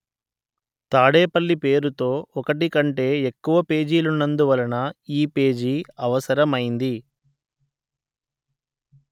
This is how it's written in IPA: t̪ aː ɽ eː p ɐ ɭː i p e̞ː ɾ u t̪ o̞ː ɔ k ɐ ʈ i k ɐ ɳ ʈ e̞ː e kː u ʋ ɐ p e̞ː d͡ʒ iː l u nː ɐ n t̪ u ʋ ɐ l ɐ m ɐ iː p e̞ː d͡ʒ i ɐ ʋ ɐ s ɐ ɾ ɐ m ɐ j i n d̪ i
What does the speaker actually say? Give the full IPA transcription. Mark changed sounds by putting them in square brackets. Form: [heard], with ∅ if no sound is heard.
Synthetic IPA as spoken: t̪ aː ɽ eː p ɐ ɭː i p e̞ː ɾ u t̪ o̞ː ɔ k ɐ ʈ i k ɐ ɳ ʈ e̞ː e kː u ʋ ɐ p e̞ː d͡ʒ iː l u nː ɐ n [d̪] u ʋ ɐ l ɐ [n] ɐ iː p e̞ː d͡ʒ i ɐ ʋ ɐ s ɐ ɾ ɐ m ɐ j i n d̪ i